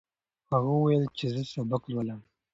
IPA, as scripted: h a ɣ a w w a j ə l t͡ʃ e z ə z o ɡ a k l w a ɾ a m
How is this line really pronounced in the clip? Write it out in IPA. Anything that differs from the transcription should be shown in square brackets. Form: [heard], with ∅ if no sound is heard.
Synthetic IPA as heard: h a ɣ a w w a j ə l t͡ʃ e z ə [s] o [b] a k l w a [l] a m